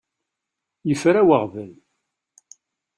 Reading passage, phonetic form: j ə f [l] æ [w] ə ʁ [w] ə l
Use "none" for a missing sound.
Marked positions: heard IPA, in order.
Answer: ɾ, w, v

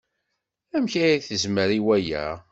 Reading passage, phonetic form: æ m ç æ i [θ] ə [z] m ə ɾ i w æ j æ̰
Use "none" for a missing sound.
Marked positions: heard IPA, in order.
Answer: θ, z

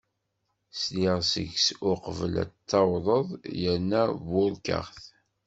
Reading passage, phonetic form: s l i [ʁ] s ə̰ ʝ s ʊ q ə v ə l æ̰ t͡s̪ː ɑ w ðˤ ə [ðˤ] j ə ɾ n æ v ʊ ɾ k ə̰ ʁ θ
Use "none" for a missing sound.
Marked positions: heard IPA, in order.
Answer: ʁ, ðˤ

